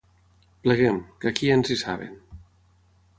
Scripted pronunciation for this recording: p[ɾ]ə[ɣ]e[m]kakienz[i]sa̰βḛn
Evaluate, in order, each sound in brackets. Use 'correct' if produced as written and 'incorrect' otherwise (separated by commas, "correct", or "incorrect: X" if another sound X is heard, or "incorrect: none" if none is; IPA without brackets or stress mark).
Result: incorrect: l, correct, correct, correct